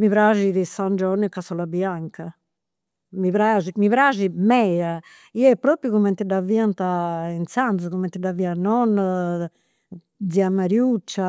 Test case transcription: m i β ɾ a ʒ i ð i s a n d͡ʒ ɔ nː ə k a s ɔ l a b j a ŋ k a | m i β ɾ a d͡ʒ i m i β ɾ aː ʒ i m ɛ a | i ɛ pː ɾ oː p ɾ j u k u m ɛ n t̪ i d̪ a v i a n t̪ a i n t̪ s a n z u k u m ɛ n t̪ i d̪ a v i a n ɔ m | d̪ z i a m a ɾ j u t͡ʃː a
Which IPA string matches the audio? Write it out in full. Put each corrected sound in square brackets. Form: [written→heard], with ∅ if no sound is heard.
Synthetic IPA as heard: m i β ɾ a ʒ i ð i s a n d͡ʒ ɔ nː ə k a s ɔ l a b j a ŋ k a | m i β ɾ a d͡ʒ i m i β ɾ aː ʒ i m ɛ a | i ɛ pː ɾ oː p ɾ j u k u m ɛ n t̪ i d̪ a v i a n t̪ a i n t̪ s a n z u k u m ɛ n t̪ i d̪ a v i a n ɔ [m→n] | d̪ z i a m a ɾ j u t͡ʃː a